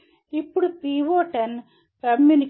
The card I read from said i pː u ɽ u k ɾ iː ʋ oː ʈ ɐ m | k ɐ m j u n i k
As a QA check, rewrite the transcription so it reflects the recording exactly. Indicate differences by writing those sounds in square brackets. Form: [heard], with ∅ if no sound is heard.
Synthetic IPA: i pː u ɽ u [p] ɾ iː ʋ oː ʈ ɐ [n] | k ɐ m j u n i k